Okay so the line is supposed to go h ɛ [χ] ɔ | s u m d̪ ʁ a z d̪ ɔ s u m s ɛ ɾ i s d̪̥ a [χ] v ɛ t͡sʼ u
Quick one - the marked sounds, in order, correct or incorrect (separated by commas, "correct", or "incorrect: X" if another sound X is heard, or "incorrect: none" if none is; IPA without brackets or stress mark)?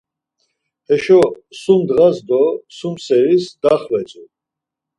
incorrect: ʃ, correct